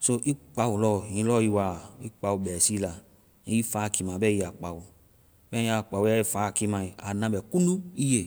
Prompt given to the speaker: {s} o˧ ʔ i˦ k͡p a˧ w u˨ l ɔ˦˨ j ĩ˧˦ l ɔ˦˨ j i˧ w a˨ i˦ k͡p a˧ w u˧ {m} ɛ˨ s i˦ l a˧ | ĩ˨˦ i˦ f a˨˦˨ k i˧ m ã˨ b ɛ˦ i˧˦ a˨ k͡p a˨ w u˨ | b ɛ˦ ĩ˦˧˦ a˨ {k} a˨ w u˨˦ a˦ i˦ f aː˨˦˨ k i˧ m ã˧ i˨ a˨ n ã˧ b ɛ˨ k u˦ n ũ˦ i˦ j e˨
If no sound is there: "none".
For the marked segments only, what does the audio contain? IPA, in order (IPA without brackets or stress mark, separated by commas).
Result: s, b, k͡p